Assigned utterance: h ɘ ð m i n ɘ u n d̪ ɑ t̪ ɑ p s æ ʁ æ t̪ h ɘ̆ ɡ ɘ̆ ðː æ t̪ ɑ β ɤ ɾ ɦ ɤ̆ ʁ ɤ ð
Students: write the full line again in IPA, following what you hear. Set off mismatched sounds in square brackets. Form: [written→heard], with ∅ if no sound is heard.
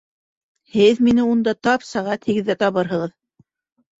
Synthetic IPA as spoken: h ɘ ð m i n ɘ u n d̪ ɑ t̪ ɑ p s æ ʁ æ t̪ h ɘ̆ ɡ ɘ̆ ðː æ t̪ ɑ β ɤ ɾ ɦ ɤ̆ ʁ ɤ ð